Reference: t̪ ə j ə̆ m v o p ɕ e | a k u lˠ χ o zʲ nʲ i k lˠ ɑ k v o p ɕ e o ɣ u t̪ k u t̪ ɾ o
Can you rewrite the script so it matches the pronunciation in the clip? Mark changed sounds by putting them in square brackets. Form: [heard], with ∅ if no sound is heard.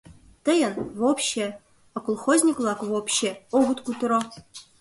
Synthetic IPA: t̪ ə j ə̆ [n] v o p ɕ e | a k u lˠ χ o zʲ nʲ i k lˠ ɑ k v o p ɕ e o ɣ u t̪ k u t̪ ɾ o